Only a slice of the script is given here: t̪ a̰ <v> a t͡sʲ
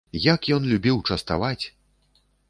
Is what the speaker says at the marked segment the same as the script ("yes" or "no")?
yes